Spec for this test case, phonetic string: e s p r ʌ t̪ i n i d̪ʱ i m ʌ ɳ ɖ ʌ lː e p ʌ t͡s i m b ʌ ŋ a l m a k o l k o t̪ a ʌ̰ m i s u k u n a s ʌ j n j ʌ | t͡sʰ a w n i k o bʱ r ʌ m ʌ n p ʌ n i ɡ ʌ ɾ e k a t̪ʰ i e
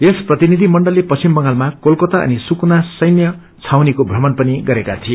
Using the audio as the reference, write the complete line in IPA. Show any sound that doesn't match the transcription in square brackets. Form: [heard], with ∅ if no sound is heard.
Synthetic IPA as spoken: e s p r ʌ t̪ i n i d̪ʱ i m ʌ ɳ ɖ ʌ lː e p ʌ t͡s i m b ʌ ŋ a l m a k o l k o t̪ a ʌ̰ [n] i s u k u n a s ʌ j n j ʌ | t͡sʰ a w n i k o bʱ r ʌ m ʌ n p ʌ n i ɡ ʌ ɾ e k a t̪ʰ i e

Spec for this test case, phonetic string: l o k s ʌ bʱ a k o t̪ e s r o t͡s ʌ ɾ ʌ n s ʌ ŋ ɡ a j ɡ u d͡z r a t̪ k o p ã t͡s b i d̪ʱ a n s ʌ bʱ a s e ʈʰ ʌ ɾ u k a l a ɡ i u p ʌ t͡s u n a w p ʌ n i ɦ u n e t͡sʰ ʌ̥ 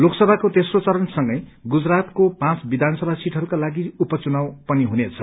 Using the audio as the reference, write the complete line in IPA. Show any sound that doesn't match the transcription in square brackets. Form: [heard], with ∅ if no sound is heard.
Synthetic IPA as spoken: l o k s ʌ bʱ a k o t̪ e s r o t͡s ʌ ɾ ʌ n s ʌ ŋ ɡ [ʌ] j ɡ u d͡z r a t̪ k o p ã t͡s b i d̪ʱ a n s ʌ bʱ a s [i] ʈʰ ʌ ɾ u k a l a ɡ i u p ʌ t͡s u n a w p ʌ n i ɦ u n e t͡sʰ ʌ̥

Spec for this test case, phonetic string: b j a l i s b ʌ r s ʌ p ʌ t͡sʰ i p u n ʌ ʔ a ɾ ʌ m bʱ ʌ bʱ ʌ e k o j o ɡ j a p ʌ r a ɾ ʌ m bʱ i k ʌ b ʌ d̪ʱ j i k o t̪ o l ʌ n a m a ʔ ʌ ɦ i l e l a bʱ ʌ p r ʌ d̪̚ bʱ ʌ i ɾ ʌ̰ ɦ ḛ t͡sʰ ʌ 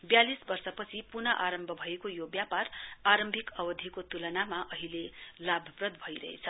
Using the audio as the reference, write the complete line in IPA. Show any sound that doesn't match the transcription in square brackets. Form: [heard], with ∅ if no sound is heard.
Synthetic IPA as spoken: b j a l i s b ʌ r s ʌ p ʌ t͡sʰ i p u n ʌ ʔ a ɾ ʌ m bʱ ʌ bʱ ʌ e k o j o [b] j a p [a] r a ɾ ʌ m bʱ i k ʌ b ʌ d̪ʱ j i k o t̪ [u] l ʌ n a m a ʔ ʌ ɦ i l e l a bʱ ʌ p r ʌ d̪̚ bʱ ʌ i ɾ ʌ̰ ɦ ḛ t͡sʰ ʌ

